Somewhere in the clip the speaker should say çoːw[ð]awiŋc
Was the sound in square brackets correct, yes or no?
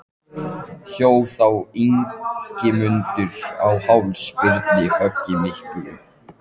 no